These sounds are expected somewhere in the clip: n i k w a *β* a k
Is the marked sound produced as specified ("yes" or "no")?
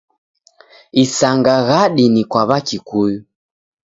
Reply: yes